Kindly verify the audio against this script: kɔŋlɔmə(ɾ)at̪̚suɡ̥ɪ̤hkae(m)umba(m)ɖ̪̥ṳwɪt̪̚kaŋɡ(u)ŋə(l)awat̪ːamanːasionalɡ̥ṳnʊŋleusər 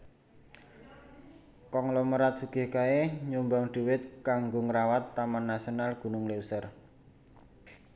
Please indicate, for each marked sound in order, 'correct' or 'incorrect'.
correct, incorrect, incorrect, incorrect, incorrect

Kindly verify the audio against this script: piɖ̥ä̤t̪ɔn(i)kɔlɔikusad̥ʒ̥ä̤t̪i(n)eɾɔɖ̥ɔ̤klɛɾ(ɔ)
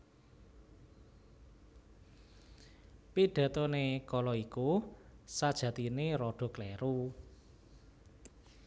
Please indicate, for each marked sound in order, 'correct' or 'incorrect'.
incorrect, correct, incorrect

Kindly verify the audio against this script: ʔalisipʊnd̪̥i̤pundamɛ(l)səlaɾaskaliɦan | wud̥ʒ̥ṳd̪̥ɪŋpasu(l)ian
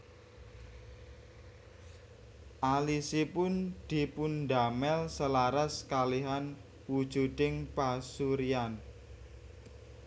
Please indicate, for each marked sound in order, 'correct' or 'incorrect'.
correct, incorrect

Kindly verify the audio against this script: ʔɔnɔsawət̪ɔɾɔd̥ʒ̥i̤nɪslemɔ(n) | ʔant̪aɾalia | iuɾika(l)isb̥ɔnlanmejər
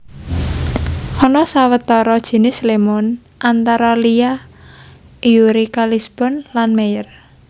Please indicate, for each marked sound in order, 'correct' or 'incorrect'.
correct, correct

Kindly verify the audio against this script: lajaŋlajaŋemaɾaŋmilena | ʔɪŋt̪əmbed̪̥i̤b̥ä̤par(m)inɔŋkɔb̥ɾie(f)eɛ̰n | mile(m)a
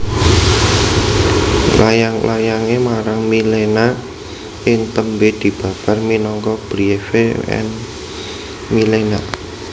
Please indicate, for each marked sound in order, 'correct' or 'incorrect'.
correct, correct, incorrect

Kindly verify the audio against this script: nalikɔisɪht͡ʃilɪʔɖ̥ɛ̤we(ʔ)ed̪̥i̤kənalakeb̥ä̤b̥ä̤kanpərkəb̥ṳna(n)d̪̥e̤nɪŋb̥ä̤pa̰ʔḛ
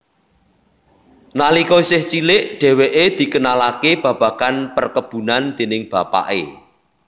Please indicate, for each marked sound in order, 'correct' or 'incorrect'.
correct, correct

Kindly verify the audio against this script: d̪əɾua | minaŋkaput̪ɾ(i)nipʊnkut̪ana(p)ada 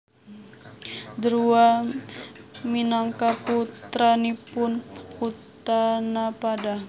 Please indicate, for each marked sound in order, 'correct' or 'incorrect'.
incorrect, correct

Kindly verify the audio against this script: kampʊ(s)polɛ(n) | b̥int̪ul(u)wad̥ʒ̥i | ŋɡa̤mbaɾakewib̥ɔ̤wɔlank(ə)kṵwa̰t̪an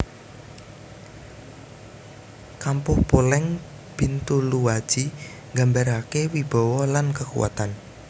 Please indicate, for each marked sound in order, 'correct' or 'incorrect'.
incorrect, incorrect, correct, correct

